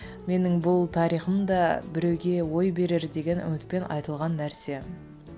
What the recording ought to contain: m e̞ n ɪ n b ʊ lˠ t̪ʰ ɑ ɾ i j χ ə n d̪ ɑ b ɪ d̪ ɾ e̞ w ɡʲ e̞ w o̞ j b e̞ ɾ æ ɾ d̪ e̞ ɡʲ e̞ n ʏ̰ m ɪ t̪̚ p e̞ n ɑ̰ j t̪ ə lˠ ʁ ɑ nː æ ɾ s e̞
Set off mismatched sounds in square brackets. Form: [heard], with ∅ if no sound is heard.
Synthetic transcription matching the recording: m e̞ n ɪ [ŋ] b ʊ lˠ t̪ʰ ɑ ɾ i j χ ə [m] d̪ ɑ b ɪ [∅] ɾ e̞ w ɡʲ e̞ w o̞ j b e̞ ɾ [e] ɾ d̪ e̞ ɡʲ e̞ n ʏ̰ m ɪ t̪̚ p e̞ n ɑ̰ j t̪ ə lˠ ʁ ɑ nː æ ɾ s e̞